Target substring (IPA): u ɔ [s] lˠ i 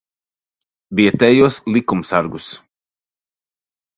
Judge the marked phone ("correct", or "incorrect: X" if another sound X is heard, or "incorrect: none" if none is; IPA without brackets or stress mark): correct